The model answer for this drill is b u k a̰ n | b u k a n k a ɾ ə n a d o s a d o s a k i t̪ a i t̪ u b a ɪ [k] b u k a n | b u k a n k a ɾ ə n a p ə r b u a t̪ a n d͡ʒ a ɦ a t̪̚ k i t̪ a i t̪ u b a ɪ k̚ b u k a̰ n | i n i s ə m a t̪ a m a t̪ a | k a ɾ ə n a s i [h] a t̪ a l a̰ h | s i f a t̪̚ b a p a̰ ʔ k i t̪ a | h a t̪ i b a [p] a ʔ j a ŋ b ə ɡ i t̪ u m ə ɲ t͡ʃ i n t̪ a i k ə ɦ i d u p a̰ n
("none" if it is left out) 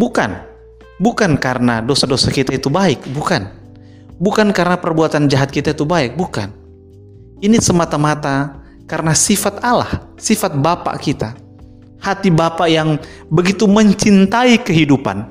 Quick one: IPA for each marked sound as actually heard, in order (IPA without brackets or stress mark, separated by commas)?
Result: k, f, p